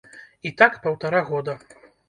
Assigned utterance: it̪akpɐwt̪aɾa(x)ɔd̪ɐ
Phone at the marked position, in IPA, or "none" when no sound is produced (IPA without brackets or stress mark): ɣ